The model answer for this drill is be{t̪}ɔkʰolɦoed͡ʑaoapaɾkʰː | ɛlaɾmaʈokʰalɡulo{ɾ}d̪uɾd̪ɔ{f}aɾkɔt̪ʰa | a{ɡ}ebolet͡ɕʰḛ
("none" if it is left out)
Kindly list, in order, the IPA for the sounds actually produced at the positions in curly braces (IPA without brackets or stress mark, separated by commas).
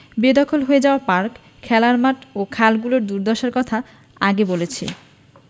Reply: d̪, ɾ, ʃ, ɡ